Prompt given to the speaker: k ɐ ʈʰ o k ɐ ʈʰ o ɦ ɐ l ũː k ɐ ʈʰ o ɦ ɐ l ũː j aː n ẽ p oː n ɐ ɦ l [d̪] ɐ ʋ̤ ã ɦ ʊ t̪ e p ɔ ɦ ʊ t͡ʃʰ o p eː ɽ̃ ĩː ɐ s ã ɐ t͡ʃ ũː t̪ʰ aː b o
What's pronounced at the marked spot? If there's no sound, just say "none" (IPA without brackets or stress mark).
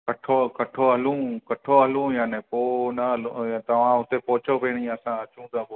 t̪